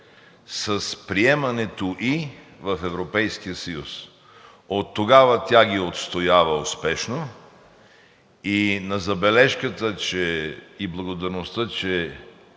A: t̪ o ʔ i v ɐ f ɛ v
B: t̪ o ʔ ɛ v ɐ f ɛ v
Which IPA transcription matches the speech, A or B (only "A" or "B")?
A